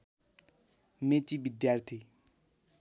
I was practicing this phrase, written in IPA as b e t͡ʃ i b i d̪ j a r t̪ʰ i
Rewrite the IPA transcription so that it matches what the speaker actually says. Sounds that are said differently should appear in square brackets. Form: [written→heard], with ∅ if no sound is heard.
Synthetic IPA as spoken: [b→m] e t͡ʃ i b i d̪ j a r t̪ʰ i